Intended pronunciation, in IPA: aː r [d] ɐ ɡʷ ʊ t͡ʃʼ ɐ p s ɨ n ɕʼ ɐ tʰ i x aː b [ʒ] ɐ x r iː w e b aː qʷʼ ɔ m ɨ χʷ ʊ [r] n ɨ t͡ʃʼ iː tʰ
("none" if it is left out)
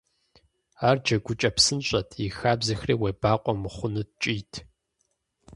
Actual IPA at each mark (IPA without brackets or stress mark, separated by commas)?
d͡ʒ, z, none